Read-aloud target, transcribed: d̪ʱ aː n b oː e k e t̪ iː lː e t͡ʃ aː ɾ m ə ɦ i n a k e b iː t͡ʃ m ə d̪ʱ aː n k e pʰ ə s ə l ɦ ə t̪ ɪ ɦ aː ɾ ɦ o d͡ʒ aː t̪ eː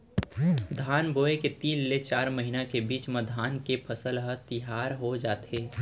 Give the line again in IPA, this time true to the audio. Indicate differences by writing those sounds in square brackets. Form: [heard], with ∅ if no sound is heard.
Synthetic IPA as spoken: d̪ʱ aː n b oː e k e t̪ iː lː e t͡ʃ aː ɾ m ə ɦ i n a k e b iː t͡ʃ m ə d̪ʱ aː n k e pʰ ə s ə l ɦ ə t̪ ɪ ɦ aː ɾ ɦ o d͡ʒ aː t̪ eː